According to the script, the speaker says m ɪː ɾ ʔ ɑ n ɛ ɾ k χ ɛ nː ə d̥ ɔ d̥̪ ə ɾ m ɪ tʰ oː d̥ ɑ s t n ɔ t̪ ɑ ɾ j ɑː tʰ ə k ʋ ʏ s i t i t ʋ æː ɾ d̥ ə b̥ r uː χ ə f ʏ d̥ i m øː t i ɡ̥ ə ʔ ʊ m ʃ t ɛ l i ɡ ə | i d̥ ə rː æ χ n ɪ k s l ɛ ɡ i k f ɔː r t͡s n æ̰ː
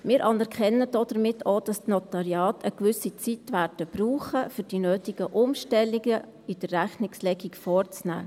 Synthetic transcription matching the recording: m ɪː ɾ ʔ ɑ n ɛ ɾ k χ ɛ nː ə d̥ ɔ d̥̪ ə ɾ m ɪ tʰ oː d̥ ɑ s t n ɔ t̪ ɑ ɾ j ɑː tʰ ə k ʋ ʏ s i t͡s i t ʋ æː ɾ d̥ ə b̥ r uː χ ə f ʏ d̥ i n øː t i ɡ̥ ə ʔ ʊ m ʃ t ɛ l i ɡ ə | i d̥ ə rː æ χ n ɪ k s l ɛ ɡ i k f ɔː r t͡s n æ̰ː